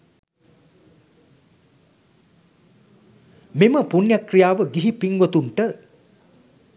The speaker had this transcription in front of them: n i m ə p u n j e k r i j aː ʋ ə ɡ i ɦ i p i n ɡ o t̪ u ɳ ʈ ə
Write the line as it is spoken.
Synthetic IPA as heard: m i m ə p u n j a k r i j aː ʋ ə ɡ i ɦ i p i ŋ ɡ o t̪ u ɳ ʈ ə